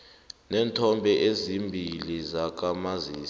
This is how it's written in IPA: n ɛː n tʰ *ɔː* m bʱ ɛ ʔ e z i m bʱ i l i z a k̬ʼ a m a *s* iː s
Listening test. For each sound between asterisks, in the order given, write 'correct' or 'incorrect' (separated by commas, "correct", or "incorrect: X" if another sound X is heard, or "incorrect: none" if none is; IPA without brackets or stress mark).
incorrect: ɔ, incorrect: z